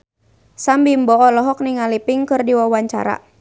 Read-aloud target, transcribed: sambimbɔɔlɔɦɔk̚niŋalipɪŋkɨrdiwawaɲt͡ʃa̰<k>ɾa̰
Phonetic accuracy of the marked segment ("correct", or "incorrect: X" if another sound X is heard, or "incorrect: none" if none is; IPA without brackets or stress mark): incorrect: none